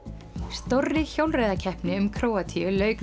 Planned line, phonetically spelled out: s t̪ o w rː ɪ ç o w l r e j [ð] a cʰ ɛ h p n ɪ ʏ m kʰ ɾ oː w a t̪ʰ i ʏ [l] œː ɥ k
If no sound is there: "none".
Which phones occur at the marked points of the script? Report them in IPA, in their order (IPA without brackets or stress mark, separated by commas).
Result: ð, l